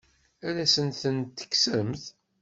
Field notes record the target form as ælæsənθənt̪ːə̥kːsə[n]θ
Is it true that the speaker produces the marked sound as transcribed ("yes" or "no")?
no